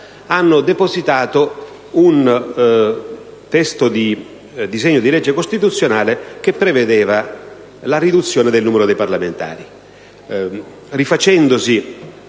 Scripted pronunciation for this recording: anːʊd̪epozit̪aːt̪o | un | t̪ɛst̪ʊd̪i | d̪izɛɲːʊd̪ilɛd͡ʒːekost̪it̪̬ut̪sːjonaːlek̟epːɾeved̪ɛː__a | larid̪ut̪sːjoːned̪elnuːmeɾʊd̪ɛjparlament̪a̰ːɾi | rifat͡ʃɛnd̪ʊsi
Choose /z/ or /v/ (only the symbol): v